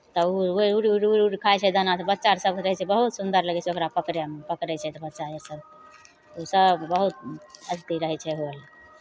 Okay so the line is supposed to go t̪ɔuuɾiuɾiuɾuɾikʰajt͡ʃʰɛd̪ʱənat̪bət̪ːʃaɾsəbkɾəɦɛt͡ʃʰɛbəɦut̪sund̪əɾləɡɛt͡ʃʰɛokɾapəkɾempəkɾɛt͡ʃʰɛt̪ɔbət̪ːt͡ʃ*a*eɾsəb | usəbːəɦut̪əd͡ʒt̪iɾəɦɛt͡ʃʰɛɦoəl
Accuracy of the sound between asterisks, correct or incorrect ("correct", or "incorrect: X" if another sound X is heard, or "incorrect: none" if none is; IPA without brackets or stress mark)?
correct